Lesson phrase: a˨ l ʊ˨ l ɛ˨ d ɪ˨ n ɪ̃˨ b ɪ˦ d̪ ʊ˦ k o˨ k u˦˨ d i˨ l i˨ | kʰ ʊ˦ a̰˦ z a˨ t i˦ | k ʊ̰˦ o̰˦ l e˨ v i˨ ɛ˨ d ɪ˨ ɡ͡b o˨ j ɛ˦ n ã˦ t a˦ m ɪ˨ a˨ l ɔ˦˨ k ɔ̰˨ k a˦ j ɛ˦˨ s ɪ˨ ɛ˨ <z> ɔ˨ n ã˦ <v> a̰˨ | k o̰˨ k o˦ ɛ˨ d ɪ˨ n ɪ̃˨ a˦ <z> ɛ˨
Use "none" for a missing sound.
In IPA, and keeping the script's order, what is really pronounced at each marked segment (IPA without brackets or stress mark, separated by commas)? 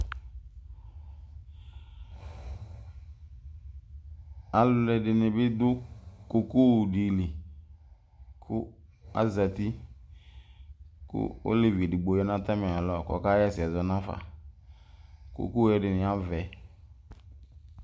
z, f, v